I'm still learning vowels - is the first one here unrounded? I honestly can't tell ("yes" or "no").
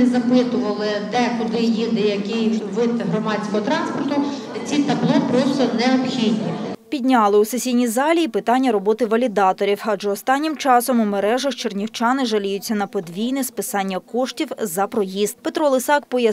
yes